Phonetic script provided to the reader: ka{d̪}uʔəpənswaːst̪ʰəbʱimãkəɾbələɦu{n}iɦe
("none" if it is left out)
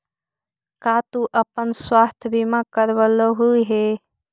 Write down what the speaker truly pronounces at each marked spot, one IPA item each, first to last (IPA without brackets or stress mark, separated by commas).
t̪, none